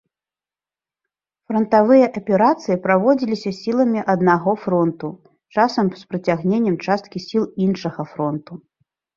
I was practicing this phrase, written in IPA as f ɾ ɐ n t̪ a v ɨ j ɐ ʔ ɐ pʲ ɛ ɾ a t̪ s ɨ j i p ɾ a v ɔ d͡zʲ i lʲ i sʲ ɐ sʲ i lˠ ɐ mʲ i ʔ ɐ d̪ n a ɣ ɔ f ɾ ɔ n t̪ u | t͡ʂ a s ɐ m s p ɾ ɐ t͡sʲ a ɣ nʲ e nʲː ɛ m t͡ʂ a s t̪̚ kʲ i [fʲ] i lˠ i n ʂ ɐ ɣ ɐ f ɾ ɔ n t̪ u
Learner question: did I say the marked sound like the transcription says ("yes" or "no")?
no